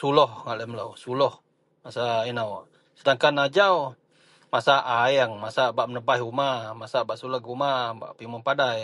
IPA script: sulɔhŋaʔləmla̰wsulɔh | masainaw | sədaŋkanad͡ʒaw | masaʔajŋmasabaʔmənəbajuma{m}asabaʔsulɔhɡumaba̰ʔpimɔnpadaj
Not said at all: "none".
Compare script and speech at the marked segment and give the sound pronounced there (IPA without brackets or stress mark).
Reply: m